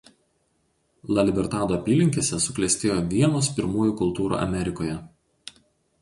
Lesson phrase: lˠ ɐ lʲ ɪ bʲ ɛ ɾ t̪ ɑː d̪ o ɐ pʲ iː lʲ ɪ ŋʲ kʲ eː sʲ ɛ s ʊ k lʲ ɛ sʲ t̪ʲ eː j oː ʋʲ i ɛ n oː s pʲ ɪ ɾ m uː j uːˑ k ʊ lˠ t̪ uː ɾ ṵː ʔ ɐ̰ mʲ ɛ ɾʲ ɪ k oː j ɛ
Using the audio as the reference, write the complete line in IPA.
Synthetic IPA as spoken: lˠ ɐ lʲ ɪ bʲ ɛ ɾ t̪ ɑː d̪ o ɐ pʲ iː lʲ ɪ ŋʲ kʲ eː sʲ ɛ s ʊ k lʲ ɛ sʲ t̪ʲ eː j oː ʋʲ i ɛ n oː s pʲ ɪ ɾ m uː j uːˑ k ʊ lˠ t̪ uː ɾ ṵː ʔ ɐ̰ mʲ ɛ ɾʲ ɪ k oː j ɛ